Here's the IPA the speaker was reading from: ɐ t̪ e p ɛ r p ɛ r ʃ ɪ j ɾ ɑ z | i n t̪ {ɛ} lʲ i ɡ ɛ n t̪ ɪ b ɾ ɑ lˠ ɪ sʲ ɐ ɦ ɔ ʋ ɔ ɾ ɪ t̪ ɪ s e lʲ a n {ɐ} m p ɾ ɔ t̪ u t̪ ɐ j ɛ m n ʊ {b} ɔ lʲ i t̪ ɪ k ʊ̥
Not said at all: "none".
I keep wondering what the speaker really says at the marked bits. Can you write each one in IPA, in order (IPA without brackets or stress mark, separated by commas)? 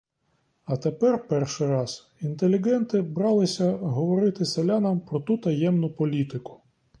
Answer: e, ɐ, p